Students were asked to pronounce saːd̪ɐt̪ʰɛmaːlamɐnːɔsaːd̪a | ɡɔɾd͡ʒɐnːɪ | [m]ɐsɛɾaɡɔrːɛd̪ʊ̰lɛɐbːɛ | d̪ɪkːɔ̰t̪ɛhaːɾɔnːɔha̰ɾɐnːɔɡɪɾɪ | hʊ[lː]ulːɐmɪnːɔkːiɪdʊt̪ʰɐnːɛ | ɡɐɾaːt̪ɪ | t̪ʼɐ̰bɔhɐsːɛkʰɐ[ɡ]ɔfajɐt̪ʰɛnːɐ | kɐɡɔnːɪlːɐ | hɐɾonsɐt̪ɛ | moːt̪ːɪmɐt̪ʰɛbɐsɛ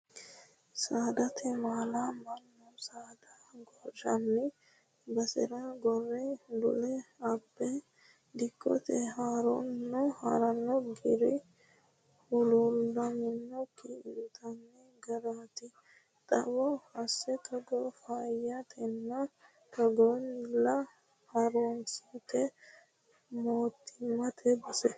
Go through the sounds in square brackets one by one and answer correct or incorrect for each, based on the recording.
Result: incorrect: b, incorrect: l, correct

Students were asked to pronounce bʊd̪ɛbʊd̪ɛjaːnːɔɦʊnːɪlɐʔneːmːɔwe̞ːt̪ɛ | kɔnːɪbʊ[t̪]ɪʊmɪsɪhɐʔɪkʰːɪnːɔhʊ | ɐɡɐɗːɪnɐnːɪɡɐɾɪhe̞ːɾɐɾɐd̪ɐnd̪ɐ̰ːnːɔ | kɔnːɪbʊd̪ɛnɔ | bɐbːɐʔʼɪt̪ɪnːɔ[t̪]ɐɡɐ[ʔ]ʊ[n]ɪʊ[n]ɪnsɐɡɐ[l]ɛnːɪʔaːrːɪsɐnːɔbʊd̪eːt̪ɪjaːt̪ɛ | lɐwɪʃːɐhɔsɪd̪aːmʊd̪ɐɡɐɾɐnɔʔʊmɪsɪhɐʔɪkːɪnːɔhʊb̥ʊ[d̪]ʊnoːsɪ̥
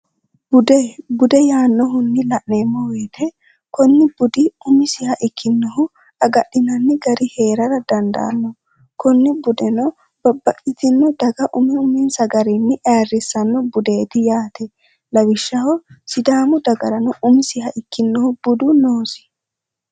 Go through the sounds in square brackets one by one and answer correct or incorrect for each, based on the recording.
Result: incorrect: d̪, incorrect: d̪, correct, incorrect: m, incorrect: m, incorrect: ɾ, correct

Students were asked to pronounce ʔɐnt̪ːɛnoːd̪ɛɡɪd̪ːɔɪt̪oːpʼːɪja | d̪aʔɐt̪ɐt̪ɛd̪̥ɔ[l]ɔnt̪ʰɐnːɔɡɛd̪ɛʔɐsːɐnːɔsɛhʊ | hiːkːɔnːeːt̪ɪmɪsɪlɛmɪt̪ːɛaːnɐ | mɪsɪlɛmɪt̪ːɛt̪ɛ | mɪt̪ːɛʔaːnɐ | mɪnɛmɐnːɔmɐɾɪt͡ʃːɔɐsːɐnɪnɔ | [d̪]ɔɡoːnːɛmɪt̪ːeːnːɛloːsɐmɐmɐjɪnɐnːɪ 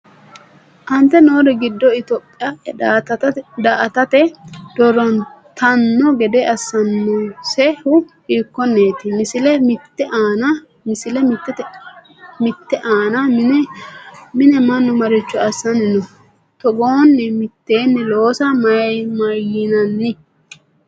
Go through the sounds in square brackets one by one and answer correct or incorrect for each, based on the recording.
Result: incorrect: ɾ, incorrect: t̪

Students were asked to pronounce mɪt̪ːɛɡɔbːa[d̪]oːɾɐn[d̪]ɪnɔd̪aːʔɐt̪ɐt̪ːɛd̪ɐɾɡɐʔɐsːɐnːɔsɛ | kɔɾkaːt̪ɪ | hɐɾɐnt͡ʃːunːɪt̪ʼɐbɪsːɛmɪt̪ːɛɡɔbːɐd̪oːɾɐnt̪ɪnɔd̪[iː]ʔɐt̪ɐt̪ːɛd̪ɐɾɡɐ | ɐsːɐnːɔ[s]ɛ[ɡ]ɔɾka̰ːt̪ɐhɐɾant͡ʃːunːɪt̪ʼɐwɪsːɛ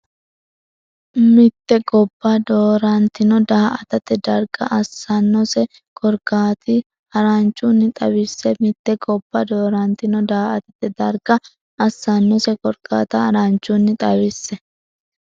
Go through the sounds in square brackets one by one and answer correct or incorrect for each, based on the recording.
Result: correct, incorrect: t̪, incorrect: aː, correct, incorrect: k

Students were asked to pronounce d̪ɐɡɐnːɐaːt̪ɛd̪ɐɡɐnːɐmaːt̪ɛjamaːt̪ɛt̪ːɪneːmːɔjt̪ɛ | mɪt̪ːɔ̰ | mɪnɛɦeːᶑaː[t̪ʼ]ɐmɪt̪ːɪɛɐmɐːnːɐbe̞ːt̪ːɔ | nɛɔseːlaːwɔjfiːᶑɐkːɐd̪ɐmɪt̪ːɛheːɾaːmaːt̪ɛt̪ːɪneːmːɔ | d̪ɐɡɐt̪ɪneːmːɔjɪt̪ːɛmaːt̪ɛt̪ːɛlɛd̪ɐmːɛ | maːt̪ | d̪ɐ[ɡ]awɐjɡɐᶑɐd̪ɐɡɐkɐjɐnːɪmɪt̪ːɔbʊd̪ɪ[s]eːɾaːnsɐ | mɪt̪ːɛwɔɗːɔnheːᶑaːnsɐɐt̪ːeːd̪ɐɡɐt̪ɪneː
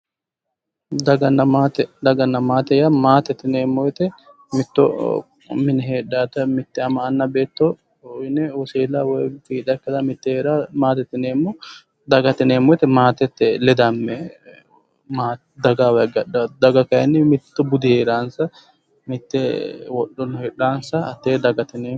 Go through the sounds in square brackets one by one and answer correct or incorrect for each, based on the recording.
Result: incorrect: t̪, correct, incorrect: h

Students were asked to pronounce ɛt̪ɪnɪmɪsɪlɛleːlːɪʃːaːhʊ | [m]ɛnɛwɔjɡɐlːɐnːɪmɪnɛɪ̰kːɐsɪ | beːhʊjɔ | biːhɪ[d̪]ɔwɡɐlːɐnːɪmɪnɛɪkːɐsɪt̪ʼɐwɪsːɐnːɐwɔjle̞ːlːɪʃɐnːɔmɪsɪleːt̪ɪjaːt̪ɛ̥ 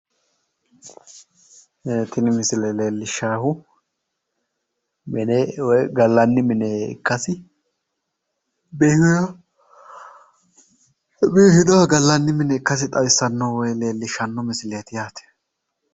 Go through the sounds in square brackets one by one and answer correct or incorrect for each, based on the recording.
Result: correct, correct

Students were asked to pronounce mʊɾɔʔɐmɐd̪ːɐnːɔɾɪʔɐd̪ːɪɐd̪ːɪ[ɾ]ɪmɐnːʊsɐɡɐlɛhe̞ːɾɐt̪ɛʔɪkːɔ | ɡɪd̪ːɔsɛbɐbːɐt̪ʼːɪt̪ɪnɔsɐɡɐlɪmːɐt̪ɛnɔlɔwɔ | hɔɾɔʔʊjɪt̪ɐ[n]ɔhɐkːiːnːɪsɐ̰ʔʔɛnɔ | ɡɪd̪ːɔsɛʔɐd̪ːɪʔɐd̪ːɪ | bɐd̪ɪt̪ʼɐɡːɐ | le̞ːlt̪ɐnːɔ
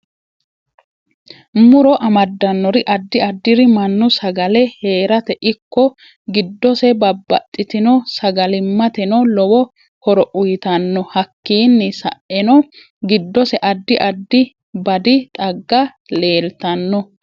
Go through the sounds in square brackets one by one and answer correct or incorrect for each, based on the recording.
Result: correct, incorrect: nː

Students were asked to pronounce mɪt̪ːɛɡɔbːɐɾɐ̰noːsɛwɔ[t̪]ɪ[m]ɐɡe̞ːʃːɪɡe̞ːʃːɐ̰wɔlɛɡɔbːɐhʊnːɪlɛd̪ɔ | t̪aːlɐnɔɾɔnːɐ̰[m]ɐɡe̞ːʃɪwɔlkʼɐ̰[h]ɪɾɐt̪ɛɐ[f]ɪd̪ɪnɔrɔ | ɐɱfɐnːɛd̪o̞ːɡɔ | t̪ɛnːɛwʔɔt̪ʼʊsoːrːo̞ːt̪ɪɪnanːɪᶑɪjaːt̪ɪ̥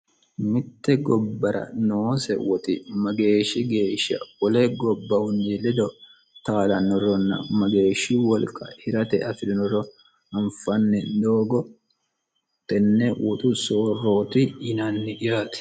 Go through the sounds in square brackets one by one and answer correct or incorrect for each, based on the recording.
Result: correct, correct, correct, correct, correct

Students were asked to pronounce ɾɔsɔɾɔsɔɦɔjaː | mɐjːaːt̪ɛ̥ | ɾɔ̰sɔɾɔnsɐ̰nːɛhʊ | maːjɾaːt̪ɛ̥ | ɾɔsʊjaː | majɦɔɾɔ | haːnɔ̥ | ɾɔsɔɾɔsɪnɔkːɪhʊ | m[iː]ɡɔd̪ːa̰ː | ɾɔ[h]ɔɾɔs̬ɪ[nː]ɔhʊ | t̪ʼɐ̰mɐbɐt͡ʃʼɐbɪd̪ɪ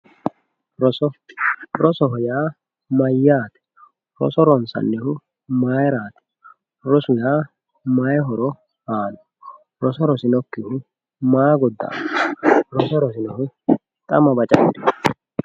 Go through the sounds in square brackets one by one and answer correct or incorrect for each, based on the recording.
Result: incorrect: aː, incorrect: s, incorrect: n

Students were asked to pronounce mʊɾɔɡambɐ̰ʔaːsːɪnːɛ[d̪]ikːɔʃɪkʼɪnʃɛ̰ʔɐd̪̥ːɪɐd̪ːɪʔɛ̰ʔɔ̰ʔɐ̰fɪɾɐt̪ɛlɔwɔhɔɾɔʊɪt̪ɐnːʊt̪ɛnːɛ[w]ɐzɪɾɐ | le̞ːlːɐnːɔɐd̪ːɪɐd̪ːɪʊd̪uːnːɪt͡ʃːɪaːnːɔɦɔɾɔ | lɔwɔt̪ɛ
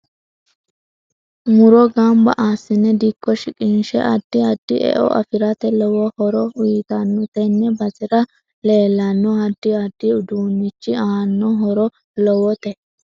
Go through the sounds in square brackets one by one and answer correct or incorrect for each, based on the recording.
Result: correct, incorrect: b

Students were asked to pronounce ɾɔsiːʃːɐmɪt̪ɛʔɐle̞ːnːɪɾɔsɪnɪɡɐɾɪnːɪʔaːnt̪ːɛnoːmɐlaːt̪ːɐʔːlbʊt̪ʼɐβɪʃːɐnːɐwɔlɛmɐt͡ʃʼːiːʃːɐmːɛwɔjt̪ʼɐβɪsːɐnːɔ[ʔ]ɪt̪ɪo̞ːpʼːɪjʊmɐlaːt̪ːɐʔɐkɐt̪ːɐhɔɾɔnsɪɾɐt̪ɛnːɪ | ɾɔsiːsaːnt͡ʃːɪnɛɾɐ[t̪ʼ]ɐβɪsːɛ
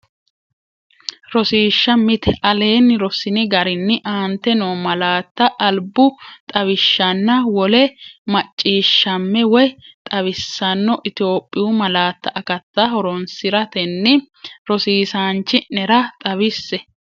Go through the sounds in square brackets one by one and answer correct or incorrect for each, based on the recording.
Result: correct, correct

